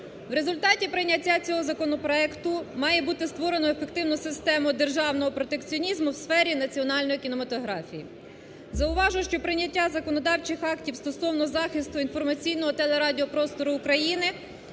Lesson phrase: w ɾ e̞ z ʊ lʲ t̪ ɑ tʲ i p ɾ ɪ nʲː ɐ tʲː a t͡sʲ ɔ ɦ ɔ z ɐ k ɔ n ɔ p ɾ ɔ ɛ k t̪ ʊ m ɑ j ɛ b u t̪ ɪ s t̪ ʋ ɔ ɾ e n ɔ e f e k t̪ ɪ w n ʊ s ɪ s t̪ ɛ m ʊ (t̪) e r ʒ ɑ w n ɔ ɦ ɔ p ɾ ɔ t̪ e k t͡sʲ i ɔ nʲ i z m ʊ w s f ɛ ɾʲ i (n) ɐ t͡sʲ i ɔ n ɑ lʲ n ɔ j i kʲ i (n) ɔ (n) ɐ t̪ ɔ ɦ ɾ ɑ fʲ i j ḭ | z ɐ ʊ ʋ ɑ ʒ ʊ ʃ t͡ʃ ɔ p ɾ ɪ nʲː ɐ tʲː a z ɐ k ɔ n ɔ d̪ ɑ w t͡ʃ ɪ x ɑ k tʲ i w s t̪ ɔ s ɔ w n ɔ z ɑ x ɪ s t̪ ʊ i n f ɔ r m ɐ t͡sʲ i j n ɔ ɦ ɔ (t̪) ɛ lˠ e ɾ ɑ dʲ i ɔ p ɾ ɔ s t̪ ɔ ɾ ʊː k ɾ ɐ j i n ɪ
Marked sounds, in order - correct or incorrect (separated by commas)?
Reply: incorrect, correct, correct, incorrect, correct